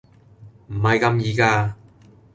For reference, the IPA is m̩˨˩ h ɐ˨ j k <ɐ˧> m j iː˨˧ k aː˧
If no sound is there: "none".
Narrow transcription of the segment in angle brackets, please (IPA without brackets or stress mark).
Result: ɐ˧